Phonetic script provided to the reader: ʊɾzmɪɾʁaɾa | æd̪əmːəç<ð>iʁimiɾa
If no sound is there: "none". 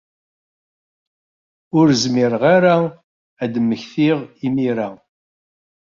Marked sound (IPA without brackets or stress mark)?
θ